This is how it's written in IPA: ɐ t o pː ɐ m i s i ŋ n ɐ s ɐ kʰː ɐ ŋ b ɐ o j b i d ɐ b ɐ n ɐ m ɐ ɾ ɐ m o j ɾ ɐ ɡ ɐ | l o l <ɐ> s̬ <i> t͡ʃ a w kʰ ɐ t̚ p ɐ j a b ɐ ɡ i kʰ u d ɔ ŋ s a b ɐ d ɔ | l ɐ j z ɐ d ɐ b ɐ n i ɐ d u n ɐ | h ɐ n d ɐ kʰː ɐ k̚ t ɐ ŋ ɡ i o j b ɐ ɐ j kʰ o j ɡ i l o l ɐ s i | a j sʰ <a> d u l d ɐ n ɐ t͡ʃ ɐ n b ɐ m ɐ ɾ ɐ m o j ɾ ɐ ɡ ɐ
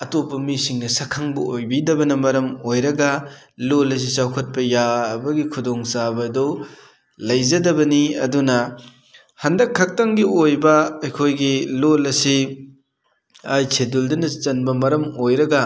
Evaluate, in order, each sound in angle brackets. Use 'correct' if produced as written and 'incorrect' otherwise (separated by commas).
correct, correct, incorrect